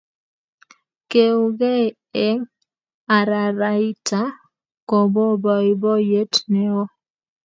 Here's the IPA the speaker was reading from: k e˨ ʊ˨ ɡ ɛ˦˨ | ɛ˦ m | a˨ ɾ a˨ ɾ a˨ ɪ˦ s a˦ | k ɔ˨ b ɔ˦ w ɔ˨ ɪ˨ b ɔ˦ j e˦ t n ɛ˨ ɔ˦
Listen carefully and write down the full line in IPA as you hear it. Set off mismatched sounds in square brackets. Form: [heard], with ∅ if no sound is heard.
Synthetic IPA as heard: k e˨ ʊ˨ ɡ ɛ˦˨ | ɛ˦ [ŋ] | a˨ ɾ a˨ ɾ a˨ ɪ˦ [t] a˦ | k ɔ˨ b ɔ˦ [b] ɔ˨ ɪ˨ b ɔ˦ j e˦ t n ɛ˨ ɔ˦